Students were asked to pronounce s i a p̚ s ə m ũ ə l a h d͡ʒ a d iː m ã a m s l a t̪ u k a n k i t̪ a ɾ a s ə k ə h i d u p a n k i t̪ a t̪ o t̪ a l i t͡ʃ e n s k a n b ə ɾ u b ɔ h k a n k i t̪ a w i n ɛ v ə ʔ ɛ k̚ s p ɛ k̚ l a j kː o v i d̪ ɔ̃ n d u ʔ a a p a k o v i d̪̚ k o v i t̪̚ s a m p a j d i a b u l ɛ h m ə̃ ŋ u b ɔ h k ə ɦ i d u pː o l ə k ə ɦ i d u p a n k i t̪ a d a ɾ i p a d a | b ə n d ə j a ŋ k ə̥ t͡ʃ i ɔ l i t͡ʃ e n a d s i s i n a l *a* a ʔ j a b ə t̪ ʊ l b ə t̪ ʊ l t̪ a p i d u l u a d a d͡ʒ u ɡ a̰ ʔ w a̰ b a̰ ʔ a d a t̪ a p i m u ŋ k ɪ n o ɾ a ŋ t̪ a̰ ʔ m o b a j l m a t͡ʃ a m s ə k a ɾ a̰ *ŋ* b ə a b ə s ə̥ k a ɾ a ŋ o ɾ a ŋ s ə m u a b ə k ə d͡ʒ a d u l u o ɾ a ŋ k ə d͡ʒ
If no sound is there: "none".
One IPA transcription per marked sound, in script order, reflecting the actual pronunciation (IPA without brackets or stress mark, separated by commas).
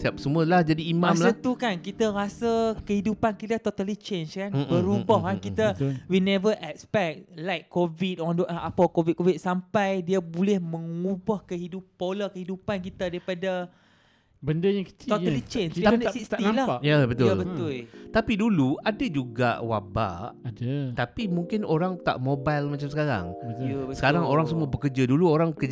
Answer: a, ŋ